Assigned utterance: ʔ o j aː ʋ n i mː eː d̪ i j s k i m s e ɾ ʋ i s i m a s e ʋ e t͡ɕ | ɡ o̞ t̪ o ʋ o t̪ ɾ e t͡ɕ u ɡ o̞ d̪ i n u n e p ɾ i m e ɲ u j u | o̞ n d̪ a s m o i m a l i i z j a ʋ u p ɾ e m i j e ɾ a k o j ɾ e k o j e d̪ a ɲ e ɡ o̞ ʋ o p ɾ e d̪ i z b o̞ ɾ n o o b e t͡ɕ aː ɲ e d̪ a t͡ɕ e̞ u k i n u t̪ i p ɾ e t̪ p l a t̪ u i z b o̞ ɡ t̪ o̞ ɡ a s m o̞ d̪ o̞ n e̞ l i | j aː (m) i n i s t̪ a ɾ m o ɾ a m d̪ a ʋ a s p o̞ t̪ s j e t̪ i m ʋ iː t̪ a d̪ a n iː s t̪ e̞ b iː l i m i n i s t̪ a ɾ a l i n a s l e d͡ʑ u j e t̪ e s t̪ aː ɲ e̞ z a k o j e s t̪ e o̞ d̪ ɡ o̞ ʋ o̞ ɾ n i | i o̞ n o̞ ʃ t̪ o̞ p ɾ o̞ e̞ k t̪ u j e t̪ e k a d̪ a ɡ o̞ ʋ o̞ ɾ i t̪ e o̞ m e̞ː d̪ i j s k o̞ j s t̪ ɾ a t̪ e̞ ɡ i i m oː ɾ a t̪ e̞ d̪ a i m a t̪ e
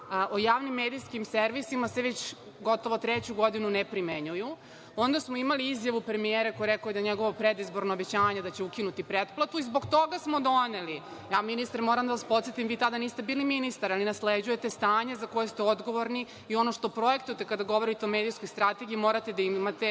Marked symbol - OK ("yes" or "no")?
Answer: yes